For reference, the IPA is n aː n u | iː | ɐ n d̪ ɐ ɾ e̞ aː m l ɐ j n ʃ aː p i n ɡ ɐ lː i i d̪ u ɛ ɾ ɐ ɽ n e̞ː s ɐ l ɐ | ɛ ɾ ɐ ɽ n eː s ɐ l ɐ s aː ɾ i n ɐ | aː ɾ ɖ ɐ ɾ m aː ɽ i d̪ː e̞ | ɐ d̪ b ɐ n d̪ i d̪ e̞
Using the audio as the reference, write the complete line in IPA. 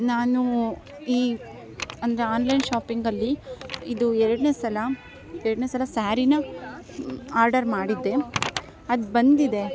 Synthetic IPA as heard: n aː n u | iː | ɐ n d̪ ɐ ɾ e̞ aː n l ɐ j n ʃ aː p i ŋ ɡ ɐ lː i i d̪ u ɛ ɾ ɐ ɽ n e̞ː s ɐ l ɐ | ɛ ɾ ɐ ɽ n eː s ɐ l ɐ s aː ɾ i n ɐ | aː ɾ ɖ ɐ ɾ m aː ɽ i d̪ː e̞ | ɐ d̪ b ɐ n d̪ i d̪ e̞

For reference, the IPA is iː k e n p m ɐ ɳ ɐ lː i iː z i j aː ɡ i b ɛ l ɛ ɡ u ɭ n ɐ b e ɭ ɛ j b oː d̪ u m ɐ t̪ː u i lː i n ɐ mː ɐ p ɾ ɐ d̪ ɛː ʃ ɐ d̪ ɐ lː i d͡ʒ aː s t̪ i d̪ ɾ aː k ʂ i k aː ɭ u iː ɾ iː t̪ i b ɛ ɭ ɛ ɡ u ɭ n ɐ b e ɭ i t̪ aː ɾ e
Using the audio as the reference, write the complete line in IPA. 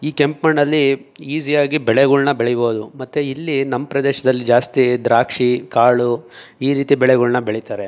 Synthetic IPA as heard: iː k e m p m ɐ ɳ ɐ lː i iː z i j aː ɡ i b ɛ ɭ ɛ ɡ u ɭ n ɐ b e ɭ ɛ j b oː d̪ u m ɐ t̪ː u i lː i n ɐ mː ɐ p ɾ ɐ d̪ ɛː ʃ ɐ d̪ ɐ lː i d͡ʒ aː s t̪ i d̪ ɾ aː k ʂ i k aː ɭ u iː ɾ iː t̪ i b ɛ ɭ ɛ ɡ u ɭ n ɐ b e ɭ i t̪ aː ɾ e

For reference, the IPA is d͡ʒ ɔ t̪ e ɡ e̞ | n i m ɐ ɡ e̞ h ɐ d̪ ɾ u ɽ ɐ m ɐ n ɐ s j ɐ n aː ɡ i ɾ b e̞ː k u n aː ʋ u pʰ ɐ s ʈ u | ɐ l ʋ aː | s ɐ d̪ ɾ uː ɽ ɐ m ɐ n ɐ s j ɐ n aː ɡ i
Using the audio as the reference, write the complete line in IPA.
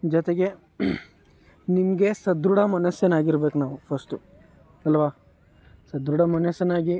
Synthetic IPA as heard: d͡ʒ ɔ t̪ e ɡ e̞ | n i m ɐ ɡ e̞ s ɐ d̪ ɾ u ɽ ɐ m ɐ n ɐ s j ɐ n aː ɡ i ɾ b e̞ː k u n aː ʋ u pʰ ɐ s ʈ u | ɐ l ʋ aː | s ɐ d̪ ɾ u ɽ ɐ m ɐ n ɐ s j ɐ n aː ɡ i

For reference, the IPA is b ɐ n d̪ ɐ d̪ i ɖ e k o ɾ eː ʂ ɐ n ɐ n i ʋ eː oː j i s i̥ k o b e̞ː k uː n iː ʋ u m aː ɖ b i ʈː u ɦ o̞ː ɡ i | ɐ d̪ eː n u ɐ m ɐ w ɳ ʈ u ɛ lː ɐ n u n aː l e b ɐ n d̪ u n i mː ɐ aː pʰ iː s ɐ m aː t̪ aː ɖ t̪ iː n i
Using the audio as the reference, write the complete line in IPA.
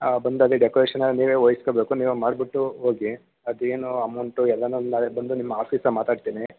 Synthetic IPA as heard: b ɐ n d̪ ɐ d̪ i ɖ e k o ɾ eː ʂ ɐ n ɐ n iː ʋ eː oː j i s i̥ k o b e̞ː k u n iː ʋ u m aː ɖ b i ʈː u ɦ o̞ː ɡ i | ɐ d̪ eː n u ɐ m ɐ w ɳ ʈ u ɛ lː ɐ n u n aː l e b ɐ n d̪ u n i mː ɐ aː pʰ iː s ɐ m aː t̪ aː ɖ t̪ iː n i

